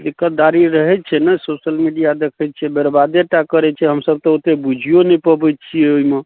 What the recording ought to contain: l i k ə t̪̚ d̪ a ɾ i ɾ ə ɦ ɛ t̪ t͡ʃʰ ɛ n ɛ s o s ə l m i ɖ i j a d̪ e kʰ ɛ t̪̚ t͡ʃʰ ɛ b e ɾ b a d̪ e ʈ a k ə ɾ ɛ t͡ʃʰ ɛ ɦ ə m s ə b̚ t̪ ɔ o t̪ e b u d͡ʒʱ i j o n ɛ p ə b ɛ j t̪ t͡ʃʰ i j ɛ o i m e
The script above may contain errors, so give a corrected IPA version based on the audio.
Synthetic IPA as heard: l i k ə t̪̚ d̪ a ɾ i ɾ ə ɦ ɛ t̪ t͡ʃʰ ɛ n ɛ s o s ə l m i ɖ i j a d̪ e kʰ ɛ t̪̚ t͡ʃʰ ɛ b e ɾ b a d̪ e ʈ a k ə ɾ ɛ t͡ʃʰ ɛ ɦ ə m s ə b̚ t̪ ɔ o t̪ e b u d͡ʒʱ i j o n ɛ p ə b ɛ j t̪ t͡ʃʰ i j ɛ o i m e